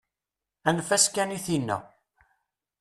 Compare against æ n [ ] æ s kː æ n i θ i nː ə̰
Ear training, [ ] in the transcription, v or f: f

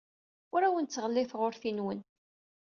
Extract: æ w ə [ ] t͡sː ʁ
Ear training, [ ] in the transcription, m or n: n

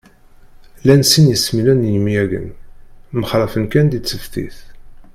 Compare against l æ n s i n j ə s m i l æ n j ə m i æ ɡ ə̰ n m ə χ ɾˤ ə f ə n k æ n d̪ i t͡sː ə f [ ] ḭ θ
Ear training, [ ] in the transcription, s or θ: θ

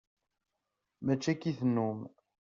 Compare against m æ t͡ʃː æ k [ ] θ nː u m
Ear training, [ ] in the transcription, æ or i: i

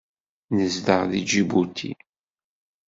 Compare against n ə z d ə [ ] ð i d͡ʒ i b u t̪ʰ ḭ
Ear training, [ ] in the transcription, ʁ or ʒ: ʁ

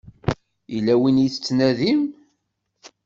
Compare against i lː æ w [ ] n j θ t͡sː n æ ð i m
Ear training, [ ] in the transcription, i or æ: i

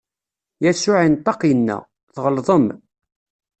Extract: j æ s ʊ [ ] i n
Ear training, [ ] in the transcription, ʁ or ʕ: ʕ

